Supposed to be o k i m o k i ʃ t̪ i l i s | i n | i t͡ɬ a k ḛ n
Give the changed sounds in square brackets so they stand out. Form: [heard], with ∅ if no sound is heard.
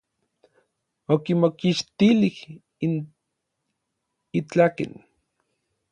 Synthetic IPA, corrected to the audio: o k i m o k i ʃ t̪ i l i [h] | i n | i t͡ɬ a k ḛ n